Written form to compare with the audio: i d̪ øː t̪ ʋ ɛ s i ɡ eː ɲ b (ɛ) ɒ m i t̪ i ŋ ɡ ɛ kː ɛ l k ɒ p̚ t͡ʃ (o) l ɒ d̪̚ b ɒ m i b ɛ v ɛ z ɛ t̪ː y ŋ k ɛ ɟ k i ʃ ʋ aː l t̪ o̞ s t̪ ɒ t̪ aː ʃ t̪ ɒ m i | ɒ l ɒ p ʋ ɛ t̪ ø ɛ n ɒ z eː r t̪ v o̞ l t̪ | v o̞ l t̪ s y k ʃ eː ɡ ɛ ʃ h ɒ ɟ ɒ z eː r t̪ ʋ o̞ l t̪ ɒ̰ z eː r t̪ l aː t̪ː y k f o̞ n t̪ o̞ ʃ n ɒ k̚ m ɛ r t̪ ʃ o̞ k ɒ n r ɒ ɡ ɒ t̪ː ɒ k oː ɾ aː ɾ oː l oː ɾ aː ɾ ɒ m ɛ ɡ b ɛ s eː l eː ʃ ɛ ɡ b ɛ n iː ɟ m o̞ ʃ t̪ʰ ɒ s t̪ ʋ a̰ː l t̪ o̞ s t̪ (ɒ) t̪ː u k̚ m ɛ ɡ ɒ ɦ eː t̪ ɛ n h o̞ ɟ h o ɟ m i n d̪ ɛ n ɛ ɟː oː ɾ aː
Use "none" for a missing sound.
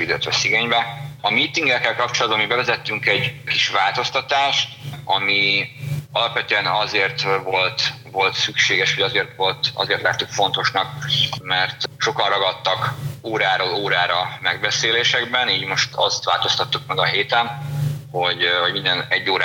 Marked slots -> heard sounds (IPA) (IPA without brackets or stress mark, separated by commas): ɛ, o, ɒ